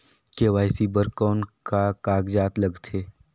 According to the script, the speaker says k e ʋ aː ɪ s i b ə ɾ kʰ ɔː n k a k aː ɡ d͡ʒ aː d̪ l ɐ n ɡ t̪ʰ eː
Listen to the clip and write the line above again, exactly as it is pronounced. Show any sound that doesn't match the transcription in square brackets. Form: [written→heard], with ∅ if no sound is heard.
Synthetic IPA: k e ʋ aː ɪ s i b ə ɾ [kʰ→k] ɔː n k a k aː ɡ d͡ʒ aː [d̪→t̪] l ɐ [n→∅] ɡ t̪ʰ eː